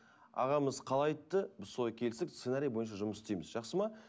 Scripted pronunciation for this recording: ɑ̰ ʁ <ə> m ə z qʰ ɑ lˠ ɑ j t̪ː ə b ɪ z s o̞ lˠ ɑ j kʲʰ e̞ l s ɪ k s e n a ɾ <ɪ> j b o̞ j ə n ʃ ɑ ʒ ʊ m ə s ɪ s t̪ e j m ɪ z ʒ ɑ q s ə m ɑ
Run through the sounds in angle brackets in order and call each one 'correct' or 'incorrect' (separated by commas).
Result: incorrect, incorrect